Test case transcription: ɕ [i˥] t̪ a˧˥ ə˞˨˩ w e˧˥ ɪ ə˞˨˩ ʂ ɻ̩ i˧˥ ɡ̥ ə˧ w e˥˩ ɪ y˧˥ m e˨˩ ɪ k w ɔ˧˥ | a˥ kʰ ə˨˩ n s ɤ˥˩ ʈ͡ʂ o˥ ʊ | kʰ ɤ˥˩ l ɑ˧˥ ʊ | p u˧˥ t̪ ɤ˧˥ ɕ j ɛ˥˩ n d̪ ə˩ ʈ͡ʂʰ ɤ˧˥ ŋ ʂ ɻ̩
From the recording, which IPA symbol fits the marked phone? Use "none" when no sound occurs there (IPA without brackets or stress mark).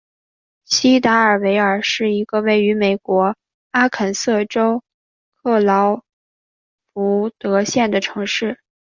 i˥